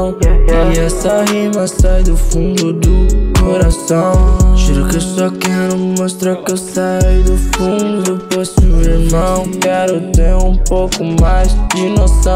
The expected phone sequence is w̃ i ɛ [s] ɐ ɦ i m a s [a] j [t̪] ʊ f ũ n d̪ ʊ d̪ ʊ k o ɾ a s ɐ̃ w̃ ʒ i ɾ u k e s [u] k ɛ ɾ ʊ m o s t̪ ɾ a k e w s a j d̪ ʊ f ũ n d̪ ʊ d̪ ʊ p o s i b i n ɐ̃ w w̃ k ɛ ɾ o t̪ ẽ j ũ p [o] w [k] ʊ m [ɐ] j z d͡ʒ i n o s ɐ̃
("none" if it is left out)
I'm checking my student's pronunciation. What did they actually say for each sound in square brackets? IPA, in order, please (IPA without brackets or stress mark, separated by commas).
s, a, d̪, ɔ, o, k, a